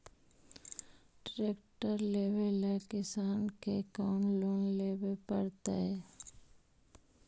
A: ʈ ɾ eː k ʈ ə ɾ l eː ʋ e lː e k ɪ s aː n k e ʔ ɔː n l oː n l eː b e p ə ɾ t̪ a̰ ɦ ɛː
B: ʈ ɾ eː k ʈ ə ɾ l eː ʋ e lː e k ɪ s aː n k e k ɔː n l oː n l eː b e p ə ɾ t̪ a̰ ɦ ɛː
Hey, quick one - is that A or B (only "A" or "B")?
B